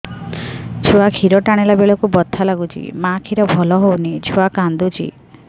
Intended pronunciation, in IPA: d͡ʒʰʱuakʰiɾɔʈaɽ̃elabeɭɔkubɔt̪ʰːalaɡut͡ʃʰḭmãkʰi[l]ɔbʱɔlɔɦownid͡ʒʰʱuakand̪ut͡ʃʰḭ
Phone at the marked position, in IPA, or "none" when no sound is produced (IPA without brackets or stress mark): ɾ